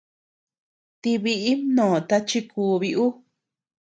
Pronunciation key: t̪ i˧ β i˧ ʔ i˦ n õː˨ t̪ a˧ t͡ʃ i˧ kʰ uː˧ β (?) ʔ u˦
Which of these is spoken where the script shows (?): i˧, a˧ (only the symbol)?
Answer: i˧